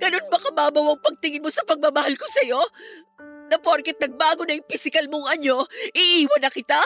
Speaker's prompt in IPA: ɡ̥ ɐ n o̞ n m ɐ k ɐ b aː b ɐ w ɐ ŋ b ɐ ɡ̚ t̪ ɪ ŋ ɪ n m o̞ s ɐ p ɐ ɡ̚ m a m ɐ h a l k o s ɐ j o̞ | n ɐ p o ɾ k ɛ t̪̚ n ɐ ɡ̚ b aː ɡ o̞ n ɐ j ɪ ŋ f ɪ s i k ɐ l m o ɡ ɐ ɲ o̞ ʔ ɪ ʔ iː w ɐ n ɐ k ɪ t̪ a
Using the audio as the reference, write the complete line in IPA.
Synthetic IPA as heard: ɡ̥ ɐ n o̞ n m ɐ k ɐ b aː b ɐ w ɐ ŋ p ɐ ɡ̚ t̪ ɪ ŋ ɪ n m o̞ s ɐ p ɐ ɡ̚ m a m ɐ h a l k o s ɐ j o̞ | n ɐ p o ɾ k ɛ t̪̚ n ɐ ɡ̚ b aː ɡ o̞ n ɐ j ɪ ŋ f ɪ s ɪ k ɐ l m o ŋ ɐ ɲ o̞ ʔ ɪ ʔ iː w ɐ n ɐ k ɪ t̪ a